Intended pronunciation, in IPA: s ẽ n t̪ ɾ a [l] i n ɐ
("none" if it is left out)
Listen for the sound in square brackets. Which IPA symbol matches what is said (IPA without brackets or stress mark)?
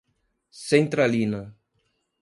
l